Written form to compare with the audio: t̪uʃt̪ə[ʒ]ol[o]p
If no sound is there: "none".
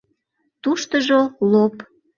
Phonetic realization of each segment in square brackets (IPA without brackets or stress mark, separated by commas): ʒ, o